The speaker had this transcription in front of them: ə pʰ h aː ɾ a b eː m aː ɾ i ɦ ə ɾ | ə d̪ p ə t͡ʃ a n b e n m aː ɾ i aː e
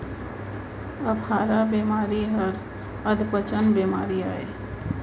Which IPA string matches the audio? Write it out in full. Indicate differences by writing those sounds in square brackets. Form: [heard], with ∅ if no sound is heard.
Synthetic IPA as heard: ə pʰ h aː ɾ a b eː m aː ɾ i ɦ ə ɾ | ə d̪ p ə t͡ʃ [ə] n b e [∅] m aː ɾ i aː e